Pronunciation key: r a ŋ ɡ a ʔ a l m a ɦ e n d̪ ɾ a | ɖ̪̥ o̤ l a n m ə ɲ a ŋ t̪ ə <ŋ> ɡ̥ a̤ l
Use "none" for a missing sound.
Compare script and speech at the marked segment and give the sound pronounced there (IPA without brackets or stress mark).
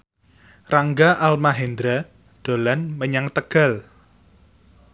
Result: none